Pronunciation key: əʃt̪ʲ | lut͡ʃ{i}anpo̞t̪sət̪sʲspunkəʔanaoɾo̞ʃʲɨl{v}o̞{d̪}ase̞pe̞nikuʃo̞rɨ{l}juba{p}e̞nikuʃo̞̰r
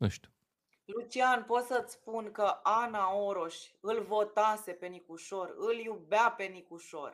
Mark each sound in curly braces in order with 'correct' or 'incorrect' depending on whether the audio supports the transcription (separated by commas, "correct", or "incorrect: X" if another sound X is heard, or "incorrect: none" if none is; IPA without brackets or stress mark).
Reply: correct, correct, incorrect: t̪, correct, correct